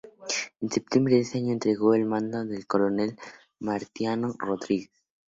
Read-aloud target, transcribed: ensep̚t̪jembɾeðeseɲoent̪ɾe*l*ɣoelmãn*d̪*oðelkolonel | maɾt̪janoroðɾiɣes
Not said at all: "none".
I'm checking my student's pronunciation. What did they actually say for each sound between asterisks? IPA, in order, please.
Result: none, d̪

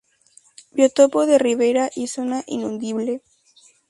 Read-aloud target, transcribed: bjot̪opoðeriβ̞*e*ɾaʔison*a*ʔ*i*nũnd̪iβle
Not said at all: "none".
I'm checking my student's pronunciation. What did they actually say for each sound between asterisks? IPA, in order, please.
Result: e, a, i

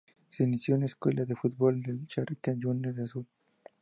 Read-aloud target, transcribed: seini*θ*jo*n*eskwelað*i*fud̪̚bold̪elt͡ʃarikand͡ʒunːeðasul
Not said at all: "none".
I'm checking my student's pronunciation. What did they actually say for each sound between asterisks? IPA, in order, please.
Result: s, n, e

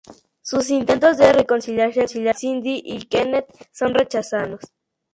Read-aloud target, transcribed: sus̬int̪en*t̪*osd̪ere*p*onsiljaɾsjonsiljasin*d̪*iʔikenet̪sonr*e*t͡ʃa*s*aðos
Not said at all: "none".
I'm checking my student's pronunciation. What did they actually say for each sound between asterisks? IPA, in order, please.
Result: t̪, k, d̪, e, s

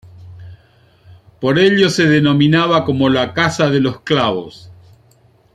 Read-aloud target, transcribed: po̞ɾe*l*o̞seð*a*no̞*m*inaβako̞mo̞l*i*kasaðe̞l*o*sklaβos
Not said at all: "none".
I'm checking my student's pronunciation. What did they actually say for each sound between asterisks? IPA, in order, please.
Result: ʎ, e, m, a, o

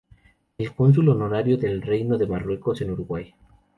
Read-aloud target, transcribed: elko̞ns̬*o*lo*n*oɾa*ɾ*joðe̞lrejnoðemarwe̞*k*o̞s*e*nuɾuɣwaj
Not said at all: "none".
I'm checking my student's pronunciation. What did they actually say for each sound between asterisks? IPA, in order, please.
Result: u, n, ɾ, k, e

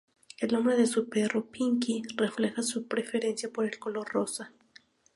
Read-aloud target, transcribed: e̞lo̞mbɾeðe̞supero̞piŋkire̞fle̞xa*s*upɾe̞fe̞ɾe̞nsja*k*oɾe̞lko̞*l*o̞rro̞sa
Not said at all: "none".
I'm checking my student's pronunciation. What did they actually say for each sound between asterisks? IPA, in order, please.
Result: s, p, l

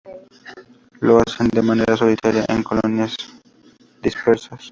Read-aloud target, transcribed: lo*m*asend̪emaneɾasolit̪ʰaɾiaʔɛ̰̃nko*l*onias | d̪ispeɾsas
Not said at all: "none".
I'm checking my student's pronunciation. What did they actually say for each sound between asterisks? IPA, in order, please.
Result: none, l

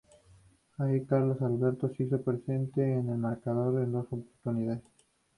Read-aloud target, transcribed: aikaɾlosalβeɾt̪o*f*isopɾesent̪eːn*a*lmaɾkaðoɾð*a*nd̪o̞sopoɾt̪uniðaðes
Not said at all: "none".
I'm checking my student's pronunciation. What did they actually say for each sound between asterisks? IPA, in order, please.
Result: s, e, e

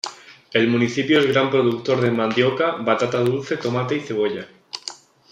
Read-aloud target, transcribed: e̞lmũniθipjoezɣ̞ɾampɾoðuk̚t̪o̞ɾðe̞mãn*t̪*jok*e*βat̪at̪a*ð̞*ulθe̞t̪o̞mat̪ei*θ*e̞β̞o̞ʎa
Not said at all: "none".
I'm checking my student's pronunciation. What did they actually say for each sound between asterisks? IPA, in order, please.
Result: d̪, a, ð̞, θ

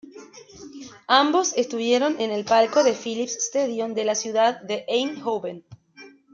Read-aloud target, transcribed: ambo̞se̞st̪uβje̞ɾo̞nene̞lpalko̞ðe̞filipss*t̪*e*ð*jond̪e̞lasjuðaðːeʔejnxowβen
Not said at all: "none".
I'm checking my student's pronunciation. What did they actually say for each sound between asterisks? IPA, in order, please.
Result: t̪, ð

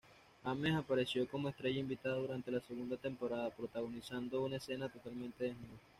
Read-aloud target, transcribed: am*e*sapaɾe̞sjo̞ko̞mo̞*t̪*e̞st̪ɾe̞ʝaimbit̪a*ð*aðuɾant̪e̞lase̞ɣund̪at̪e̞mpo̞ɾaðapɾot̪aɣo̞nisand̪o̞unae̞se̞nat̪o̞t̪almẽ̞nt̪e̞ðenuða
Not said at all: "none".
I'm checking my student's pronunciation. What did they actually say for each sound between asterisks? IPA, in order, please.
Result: e, none, ð

